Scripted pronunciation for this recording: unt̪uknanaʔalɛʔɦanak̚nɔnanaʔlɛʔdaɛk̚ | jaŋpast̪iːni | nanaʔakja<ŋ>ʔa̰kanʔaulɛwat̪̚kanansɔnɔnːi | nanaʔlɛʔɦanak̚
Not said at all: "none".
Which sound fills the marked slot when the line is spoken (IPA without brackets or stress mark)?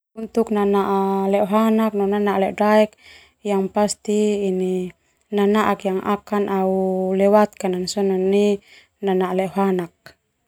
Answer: ŋ